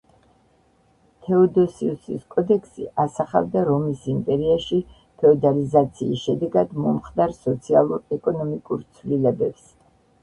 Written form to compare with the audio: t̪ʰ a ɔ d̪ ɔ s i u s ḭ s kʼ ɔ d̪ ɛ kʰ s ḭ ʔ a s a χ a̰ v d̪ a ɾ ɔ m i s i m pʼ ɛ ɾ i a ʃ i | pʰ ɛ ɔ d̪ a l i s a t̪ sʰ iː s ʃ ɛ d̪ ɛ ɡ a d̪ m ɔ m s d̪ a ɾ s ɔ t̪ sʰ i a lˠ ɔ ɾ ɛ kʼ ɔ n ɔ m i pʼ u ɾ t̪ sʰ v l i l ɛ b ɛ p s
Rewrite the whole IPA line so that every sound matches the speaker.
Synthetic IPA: t̪ʰ ɛ ɔ d̪ ɔ s i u s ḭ s kʼ ɔ d̪ ɛ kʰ s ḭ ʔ a s a χ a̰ v d̪ a ɾ ɔ m i s i m pʼ ɛ ɾ i a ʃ i | pʰ ɛ ɔ d̪ a l i z a t̪ sʰ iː s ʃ ɛ d̪ ɛ ɡ a d̪ m ɔ m χ d̪ a ɾ s ɔ t̪ sʰ i a lˠ u ɾ ɛ kʼ ɔ n ɔ m i kʼ u ɾ t̪ sʰ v l i l ɛ b ɛ p s